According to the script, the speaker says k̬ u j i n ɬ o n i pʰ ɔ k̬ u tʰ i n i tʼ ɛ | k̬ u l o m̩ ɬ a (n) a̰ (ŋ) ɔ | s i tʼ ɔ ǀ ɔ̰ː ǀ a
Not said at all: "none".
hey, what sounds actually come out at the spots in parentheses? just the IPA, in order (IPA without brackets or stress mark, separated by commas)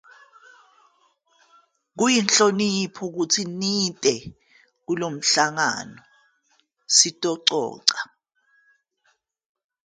ŋ, n